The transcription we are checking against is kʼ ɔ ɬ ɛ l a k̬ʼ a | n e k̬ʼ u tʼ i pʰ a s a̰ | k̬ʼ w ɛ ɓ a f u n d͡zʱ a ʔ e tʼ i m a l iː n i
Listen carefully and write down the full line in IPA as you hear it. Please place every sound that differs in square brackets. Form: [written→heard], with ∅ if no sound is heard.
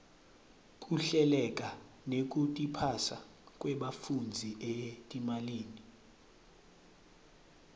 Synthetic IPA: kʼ [ɔ→u] ɬ ɛ l [a→ɛ] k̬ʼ a | n e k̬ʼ u tʼ i pʰ a s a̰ | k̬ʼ w ɛ ɓ a f u n d͡zʱ [a→i] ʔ e tʼ i m a l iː n i